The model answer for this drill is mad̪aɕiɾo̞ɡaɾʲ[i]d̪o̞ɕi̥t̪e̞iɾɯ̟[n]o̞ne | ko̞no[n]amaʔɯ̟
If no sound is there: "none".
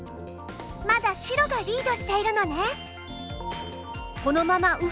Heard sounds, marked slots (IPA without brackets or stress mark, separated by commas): iː, n, m